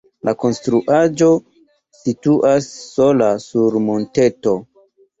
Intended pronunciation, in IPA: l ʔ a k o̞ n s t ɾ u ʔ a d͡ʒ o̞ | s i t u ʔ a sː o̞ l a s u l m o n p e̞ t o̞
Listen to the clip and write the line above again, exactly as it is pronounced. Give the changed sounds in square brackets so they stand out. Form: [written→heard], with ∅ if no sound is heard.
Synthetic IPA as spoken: l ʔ a k o̞ n s t ɾ u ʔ a d͡ʒ o̞ | s i t u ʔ a sː o̞ l a s u [l→ɾ] m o n [p→t] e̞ t o̞